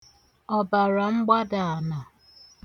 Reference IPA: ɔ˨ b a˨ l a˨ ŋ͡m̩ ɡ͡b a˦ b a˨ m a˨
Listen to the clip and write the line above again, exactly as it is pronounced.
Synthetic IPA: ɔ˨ b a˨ ɾ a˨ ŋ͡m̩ ɡ͡b a˦ d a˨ n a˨